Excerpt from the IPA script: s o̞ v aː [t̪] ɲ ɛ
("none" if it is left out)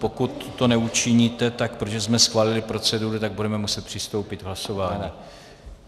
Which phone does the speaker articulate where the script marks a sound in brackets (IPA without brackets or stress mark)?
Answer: none